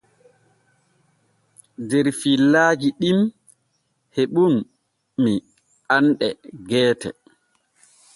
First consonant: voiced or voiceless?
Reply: voiced